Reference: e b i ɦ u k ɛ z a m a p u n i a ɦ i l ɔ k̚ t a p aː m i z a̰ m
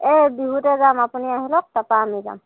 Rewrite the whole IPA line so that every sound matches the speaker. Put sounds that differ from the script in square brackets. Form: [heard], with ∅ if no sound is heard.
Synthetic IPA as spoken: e b i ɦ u [t] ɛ z a m a p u n i a ɦ i l ɔ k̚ t a p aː m i z a̰ m

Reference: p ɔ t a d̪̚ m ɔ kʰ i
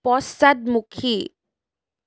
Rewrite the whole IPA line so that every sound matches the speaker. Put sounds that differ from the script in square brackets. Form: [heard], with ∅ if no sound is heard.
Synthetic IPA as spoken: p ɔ [s] a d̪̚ m [u] kʰ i

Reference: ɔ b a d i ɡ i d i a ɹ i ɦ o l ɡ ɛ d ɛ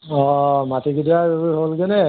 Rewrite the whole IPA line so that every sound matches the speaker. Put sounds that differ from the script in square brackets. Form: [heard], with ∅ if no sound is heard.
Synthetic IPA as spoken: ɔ [m] a [t] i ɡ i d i a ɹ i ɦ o l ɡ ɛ [n] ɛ

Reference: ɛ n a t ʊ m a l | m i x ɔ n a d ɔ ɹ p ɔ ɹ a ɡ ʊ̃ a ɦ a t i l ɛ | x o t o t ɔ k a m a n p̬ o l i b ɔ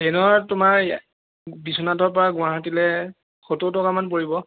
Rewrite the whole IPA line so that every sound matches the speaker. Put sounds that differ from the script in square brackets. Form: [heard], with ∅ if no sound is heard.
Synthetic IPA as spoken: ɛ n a t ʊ m a [ɹ] | [b] i [s] ɔ n a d ɔ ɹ p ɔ ɹ a ɡ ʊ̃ a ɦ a t i l ɛ | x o t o t ɔ k a m a n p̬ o [ɹ] i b ɔ

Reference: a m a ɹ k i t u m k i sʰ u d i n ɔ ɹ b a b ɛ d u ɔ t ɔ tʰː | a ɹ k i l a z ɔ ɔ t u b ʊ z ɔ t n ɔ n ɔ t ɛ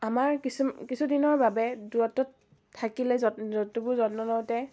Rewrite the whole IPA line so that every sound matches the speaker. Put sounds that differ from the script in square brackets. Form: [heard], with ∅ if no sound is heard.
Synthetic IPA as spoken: a m a ɹ k i [s] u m k i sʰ u d i n ɔ ɹ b a b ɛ d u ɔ t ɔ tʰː | a [∅] k i l [ɛ] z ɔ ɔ t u b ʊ z ɔ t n ɔ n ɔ t ɛ

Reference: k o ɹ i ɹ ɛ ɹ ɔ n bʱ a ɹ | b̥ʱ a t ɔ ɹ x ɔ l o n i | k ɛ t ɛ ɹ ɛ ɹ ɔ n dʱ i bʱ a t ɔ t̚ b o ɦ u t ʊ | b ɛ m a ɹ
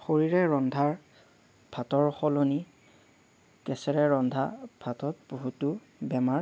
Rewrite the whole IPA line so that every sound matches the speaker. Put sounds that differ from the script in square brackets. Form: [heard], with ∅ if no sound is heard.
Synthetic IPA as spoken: [x] o ɹ i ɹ ɛ ɹ ɔ n [dʱ] a ɹ | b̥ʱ a t ɔ ɹ x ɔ l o n i | k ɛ [s] ɛ ɹ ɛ ɹ ɔ n dʱ [a] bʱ a t ɔ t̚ b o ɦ u t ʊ | b ɛ m a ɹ

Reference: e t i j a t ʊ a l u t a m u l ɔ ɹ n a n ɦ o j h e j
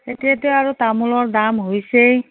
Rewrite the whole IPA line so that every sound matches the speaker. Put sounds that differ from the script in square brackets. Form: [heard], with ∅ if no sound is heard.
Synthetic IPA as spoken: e t i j a t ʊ a [ɹ] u t a m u l ɔ ɹ [d] a [m] ɦ o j [s] e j

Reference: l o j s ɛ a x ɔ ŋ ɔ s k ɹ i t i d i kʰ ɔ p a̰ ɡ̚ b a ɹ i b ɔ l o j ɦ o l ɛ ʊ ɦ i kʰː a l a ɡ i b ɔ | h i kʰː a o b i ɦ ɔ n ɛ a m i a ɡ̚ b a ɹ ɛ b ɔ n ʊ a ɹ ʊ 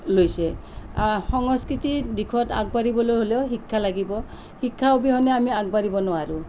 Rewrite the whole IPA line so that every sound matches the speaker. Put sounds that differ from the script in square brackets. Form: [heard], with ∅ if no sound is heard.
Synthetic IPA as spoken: l o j s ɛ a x ɔ ŋ ɔ s k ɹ i t i d i kʰ ɔ [t] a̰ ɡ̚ b a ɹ i b ɔ l o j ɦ o l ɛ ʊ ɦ i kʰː a l a ɡ i b ɔ | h i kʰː a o b i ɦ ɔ n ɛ a m i a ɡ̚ b a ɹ [i] b ɔ n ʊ a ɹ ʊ

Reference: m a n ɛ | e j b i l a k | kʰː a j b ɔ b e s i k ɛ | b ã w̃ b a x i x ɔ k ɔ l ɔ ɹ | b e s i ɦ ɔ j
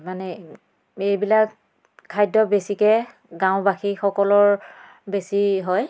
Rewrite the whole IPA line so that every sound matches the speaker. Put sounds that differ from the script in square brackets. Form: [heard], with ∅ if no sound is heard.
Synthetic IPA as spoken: m a n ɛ | e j b i l a k | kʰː a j [d] ɔ b e s i k ɛ | [ɡ] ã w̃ b a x i x ɔ k ɔ l ɔ ɹ | b e s i ɦ ɔ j

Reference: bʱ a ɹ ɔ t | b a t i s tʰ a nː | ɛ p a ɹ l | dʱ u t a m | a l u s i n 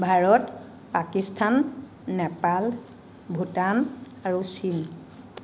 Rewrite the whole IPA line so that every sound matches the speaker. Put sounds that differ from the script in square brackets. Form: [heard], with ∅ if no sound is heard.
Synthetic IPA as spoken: bʱ a ɹ ɔ t | [p] a [k] i s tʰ a nː | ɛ p a [∅] l | [bʱ] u t a [n] | a [ɹ] u s i n

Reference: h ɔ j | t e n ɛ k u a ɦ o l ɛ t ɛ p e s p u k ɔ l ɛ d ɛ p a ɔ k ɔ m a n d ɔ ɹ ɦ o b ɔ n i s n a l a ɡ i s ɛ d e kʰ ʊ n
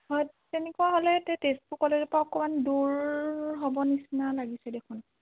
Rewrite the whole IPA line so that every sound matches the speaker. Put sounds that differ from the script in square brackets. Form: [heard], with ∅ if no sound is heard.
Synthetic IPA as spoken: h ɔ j | t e n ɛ k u a ɦ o l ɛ t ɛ [t] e s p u k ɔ l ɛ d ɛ p a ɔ k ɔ m a n d [u] ɹ ɦ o b ɔ n i s n a l a ɡ i s ɛ d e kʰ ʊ n

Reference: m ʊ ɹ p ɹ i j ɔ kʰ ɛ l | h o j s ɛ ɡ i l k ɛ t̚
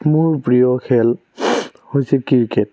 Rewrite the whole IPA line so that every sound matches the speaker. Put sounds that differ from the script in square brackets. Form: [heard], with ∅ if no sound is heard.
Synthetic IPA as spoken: m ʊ ɹ p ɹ i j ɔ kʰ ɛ l | h o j s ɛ [k] i [ɹ] k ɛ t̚

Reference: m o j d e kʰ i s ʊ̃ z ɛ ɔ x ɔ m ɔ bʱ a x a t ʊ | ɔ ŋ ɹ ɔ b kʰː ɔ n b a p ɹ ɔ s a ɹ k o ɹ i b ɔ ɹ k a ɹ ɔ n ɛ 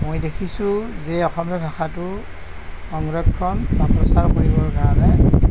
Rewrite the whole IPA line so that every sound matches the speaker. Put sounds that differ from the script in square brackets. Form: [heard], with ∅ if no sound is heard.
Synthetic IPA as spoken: m o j d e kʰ i s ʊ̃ z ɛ ɔ x ɔ m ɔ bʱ a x a t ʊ | ɔ ŋ ɹ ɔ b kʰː ɔ n b a p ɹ ɔ s a ɹ k o ɹ i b ɔ ɹ k a ɹ ɔ n ɛ

